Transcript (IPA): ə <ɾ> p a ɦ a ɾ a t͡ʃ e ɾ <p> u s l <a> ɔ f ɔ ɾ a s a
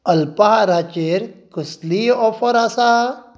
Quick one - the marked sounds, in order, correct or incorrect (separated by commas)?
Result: incorrect, incorrect, incorrect